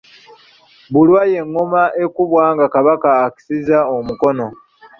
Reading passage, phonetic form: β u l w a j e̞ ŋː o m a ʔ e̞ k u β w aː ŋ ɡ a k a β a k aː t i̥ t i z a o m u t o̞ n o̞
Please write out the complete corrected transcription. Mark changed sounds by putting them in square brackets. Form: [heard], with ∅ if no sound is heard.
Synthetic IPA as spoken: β u l w a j e̞ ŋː o m a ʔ e̞ k u β w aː ŋ ɡ a k a β a k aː [k] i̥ [s] i z a o m u [k] o̞ n o̞